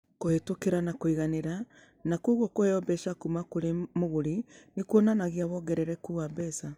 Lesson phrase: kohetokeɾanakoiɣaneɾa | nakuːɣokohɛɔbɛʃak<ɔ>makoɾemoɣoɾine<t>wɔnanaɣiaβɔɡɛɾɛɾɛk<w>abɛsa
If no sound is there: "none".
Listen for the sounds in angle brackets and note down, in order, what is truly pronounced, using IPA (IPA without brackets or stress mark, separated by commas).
u, k, u